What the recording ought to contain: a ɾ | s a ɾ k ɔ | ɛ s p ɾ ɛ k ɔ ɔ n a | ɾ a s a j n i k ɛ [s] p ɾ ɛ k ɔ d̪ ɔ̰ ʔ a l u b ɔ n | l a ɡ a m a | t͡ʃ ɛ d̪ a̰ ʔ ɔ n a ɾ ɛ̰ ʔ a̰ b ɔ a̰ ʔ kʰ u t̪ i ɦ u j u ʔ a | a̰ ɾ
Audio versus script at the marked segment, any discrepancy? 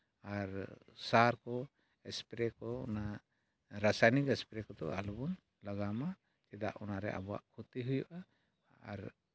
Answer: no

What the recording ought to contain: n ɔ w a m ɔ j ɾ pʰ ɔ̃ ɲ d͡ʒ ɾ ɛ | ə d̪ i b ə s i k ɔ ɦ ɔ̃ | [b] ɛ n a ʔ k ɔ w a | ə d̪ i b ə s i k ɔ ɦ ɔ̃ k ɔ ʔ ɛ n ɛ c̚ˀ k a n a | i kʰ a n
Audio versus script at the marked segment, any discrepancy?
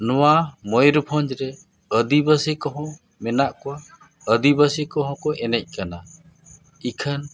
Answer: yes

